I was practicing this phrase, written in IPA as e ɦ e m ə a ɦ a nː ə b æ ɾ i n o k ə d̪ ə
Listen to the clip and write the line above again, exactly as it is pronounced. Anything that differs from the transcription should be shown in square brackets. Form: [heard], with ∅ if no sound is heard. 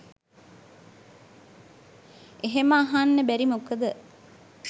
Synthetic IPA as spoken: e ɦ e m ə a ɦ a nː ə b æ ɾ i [m] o k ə d̪ ə